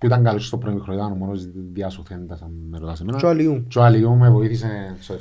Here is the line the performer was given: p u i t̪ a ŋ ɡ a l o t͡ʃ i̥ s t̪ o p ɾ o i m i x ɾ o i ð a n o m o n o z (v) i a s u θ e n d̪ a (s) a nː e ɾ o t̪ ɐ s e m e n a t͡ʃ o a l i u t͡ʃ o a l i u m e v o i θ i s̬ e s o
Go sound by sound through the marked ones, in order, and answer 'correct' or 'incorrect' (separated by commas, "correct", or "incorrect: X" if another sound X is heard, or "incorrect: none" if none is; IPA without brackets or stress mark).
incorrect: ð, correct